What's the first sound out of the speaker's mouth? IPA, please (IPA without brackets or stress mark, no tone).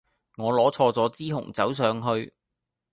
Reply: ŋ